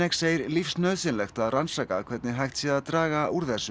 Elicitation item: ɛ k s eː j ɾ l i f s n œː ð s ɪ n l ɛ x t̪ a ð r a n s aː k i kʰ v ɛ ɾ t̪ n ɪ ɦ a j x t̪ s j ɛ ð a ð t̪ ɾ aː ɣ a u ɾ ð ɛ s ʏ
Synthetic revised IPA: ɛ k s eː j ɾ l i f s n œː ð s ɪ n l ɛ x t̪ a ð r a n s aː k a kʰ v ɛ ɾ t̪ n ɪ ɦ a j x t̪ s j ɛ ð a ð t̪ ɾ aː ɣ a u ɾ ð ɛ s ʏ